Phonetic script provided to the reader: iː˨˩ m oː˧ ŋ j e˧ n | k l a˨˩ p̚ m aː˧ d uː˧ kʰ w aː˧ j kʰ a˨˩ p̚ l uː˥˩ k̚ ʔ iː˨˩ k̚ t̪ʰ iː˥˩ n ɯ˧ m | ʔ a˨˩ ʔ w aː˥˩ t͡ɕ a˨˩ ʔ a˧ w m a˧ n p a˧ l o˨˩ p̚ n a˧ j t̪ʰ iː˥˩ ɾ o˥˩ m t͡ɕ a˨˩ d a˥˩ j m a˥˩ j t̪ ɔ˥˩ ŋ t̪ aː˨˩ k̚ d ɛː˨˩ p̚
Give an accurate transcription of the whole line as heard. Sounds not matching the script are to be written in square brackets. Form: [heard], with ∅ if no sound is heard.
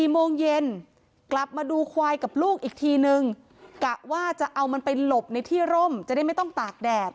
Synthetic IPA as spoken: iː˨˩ m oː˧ ŋ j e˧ n | k l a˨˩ p̚ m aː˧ d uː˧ kʰ w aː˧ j [k] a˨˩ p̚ l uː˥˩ k̚ ʔ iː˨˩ k̚ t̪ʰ [iː˧] n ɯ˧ [ŋ] | [k] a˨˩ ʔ w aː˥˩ t͡ɕ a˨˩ ʔ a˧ w m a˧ n p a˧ l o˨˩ p̚ n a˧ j t̪ʰ iː˥˩ ɾ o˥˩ m t͡ɕ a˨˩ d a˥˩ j m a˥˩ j t̪ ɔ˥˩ ŋ t̪ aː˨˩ k̚ d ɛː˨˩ p̚